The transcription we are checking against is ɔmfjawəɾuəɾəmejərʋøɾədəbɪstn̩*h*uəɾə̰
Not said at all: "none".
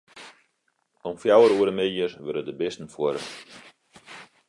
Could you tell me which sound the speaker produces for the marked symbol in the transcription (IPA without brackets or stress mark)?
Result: f